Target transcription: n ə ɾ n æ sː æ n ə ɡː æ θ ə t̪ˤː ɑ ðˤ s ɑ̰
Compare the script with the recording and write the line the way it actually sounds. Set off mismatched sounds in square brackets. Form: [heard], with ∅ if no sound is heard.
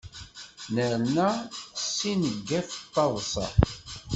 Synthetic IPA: n ə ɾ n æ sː [i] n ə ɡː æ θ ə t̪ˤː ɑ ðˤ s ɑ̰